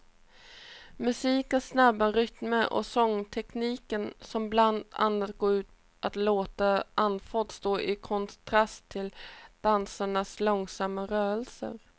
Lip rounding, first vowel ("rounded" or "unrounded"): rounded